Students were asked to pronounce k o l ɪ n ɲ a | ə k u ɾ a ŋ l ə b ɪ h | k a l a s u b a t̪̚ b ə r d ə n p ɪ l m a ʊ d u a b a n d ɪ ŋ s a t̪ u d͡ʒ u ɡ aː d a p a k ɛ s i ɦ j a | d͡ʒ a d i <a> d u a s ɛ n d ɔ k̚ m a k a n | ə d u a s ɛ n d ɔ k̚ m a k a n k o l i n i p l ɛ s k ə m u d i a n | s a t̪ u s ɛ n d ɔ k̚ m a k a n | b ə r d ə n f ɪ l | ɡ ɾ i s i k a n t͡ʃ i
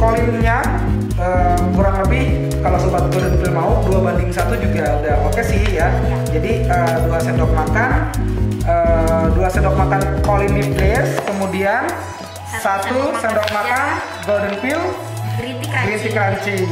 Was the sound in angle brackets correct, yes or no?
no